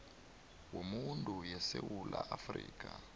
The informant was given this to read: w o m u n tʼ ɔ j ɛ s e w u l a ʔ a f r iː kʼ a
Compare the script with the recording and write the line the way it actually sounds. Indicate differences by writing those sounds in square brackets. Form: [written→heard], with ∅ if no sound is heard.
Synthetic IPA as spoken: w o m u n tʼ [ɔ→u] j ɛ s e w u l a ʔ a f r iː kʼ a